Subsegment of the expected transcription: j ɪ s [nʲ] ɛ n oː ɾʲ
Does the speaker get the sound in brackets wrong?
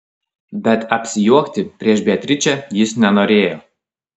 no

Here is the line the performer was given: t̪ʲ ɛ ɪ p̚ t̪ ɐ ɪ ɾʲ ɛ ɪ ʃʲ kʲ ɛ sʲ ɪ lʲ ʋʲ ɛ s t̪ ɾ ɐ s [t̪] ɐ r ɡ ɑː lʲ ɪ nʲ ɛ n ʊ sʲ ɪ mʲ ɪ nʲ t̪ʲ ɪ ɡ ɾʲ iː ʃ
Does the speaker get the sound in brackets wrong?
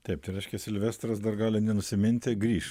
yes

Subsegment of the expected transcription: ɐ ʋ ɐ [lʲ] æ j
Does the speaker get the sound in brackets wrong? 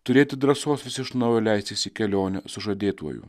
no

